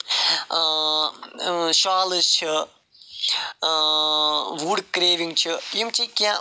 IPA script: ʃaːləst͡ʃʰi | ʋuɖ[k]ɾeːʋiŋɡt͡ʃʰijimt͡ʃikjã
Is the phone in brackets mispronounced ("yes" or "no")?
no